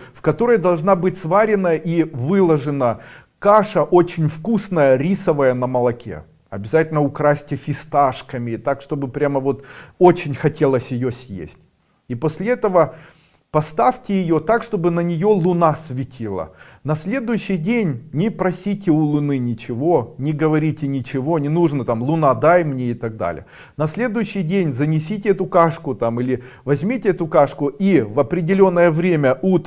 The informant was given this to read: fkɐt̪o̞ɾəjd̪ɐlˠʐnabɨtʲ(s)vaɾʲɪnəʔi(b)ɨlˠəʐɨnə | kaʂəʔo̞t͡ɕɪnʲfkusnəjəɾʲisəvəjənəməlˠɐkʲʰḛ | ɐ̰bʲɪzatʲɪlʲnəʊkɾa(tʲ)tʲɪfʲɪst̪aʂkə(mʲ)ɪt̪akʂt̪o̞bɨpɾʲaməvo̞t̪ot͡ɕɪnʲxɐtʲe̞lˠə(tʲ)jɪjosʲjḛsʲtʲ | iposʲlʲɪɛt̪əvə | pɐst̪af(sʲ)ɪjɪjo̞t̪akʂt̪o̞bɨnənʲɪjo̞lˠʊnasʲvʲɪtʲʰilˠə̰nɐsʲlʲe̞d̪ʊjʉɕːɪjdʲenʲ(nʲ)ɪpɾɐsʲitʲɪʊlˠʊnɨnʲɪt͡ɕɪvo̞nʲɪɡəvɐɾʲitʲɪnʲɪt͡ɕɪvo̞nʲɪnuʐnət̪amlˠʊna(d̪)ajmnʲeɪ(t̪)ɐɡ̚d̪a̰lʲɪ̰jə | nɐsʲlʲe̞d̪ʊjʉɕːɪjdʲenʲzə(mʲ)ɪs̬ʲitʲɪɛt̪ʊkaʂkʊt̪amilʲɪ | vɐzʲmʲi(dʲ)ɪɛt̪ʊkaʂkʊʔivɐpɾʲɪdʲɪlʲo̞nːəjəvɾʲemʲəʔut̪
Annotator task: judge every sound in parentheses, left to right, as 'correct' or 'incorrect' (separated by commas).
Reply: correct, incorrect, incorrect, correct, incorrect, incorrect, correct, correct, correct, incorrect, incorrect